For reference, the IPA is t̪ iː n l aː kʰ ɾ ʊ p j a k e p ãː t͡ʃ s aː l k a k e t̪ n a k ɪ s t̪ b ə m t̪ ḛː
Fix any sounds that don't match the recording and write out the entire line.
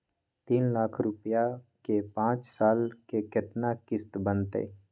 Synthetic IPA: t̪ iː n l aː kʰ ɾ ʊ p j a k e p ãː t͡ʃ s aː l k e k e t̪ n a k ɪ s t̪ b ə n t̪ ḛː